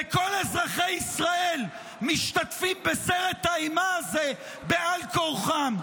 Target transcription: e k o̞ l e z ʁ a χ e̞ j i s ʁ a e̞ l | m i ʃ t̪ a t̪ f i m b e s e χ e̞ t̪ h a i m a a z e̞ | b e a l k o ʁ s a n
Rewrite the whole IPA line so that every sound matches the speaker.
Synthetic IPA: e k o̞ l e z ʁ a χ e̞ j i s ʁ a e̞ l | m i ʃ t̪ a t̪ f i m b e s e ʁ e̞ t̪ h a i m a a z e̞ | b e a l k o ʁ χ a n